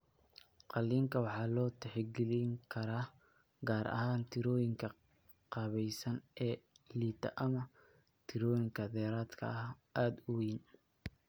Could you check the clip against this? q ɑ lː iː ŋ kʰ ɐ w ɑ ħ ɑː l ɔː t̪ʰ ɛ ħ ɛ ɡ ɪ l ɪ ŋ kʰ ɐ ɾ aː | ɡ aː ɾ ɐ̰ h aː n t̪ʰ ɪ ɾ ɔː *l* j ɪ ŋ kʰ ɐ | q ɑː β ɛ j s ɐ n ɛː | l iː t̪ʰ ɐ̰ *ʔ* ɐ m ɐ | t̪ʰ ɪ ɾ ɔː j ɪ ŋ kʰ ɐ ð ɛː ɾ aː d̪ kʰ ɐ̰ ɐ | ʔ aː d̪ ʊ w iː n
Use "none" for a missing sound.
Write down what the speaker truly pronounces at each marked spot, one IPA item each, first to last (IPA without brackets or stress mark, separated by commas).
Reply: none, ʔ